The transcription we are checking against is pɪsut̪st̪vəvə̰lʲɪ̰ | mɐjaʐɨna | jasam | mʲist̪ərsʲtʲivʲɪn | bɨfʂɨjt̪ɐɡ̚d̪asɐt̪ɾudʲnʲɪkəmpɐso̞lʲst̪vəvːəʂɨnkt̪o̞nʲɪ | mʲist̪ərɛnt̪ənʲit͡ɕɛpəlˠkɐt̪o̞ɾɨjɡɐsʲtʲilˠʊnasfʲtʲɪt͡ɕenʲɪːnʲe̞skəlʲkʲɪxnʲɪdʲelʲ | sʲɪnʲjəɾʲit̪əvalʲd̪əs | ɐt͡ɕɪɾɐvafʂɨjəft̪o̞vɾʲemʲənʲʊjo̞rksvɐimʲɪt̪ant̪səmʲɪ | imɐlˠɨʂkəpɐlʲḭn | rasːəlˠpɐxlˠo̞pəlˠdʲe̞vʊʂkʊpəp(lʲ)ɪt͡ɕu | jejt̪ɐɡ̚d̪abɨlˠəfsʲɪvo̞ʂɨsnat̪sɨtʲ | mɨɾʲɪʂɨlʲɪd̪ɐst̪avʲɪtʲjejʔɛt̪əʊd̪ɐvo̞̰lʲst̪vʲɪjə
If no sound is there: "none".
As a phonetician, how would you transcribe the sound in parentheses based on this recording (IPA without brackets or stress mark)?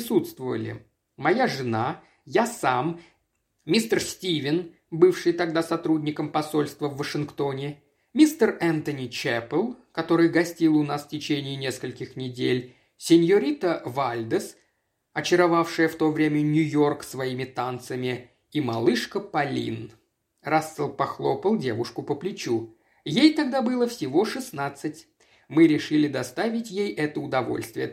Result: lʲ